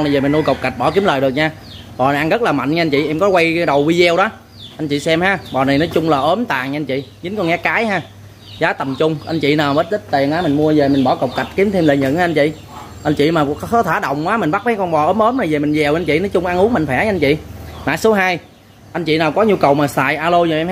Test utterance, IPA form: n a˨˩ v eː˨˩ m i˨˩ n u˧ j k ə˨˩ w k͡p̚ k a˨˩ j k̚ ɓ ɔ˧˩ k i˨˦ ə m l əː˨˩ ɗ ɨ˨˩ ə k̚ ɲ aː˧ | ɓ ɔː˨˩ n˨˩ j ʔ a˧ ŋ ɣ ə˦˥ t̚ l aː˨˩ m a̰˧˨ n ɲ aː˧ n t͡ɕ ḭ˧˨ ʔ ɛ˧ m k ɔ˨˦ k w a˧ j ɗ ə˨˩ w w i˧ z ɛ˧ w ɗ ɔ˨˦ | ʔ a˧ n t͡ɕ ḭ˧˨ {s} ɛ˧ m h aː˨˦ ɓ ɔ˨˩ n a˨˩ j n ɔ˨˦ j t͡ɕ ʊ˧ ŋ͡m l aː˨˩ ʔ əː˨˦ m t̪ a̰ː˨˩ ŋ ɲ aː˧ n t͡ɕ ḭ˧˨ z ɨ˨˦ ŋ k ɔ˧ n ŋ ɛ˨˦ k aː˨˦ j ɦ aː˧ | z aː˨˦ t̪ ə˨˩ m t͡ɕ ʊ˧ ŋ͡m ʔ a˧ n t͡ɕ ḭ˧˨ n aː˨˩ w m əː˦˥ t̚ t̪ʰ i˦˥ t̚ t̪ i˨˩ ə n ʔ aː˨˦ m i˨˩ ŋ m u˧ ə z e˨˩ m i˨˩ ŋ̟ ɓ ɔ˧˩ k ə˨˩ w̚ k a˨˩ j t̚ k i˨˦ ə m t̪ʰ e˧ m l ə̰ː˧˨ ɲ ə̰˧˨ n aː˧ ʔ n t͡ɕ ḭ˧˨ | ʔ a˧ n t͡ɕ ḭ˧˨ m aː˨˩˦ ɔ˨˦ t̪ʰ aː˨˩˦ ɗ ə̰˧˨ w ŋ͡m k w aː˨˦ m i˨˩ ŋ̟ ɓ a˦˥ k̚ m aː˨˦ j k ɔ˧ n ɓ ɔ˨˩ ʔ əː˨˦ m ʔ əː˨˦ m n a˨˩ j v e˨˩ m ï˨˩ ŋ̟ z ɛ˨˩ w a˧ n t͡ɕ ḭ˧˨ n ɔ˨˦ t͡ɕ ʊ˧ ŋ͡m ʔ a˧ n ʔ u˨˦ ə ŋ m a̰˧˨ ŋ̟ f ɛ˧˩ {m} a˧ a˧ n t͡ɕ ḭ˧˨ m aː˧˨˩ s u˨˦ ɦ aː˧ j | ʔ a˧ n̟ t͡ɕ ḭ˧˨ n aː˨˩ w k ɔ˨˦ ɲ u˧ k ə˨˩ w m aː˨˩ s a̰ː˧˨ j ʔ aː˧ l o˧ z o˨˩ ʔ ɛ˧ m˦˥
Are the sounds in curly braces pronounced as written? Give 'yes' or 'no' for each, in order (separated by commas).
yes, no